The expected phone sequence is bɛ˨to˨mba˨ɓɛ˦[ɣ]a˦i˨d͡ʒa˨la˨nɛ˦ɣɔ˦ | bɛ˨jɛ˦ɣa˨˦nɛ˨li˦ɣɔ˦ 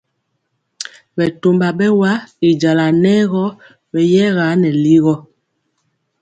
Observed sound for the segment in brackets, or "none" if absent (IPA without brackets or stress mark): w